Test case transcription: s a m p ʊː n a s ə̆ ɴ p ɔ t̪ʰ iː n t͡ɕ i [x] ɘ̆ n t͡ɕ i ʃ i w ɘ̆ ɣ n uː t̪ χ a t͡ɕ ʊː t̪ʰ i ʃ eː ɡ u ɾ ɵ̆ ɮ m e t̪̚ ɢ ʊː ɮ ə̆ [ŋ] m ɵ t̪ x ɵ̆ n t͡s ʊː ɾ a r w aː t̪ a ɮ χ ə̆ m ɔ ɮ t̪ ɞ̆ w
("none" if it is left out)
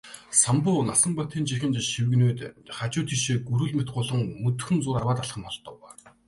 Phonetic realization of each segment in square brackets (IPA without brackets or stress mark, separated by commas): x, ŋ